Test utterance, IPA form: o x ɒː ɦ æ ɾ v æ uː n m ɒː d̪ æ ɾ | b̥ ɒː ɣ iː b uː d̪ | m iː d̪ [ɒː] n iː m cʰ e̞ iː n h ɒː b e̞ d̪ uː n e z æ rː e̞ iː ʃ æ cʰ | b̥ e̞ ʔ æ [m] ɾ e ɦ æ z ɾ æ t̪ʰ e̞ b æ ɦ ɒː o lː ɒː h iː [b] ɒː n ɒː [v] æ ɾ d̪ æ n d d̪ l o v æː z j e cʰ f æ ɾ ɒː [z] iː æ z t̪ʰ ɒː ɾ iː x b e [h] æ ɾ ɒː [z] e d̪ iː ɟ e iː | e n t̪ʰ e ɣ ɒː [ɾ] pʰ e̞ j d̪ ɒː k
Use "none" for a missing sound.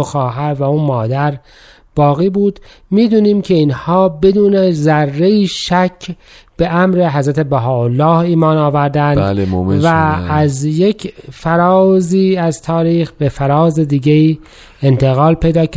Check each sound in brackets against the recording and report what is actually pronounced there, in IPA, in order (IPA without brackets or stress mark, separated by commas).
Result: uː, m, m, v, z, f, z, l